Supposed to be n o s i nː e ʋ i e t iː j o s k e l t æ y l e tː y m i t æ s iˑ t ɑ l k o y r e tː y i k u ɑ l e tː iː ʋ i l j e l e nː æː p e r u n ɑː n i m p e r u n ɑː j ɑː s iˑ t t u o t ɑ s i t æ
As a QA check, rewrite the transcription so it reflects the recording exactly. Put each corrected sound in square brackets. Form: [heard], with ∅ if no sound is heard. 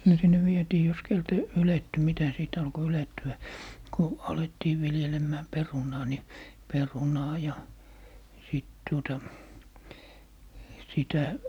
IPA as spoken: n o s i nː e ʋ i e t iː j o s k e l t æ y l e tː y m i t æ s iˑ t ɑ l k o y [l] e tː y [æ] k u ɑ l e tː iː ʋ i l j e l e [mː] æː p e r u n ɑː n i [∅] p e r u n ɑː j [ɑ] s iˑ t t u o t ɑ s i t æ